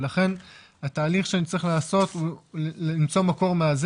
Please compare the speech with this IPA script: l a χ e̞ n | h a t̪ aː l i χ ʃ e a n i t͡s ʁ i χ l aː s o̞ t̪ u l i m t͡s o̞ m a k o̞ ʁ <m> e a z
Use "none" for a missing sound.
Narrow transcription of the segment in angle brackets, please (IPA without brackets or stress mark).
m